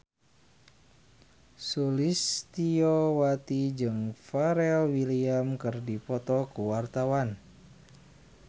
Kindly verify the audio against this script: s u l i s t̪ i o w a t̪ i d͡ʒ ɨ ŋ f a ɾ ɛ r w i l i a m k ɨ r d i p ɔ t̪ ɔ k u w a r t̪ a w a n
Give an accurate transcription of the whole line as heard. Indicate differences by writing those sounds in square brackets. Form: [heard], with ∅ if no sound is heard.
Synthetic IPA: s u l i s t̪ i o w a t̪ i d͡ʒ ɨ ŋ f a ɾ ɛ [l] w i l i a m k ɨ r d i p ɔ t̪ ɔ k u w a r t̪ a w a n